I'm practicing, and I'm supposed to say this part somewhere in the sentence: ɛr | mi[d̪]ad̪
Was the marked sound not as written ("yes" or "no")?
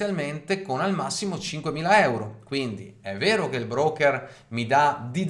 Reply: no